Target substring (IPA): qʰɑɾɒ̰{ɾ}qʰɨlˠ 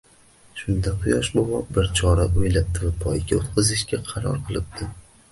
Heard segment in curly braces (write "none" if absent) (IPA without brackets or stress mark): ɾ